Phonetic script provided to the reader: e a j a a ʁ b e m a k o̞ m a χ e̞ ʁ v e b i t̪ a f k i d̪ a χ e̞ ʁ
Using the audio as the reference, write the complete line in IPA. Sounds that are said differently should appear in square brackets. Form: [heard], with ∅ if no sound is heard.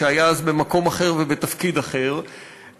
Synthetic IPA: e a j a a [z] b e m a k o̞ m a χ e̞ ʁ v e b [e] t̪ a f k i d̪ a χ e̞ ʁ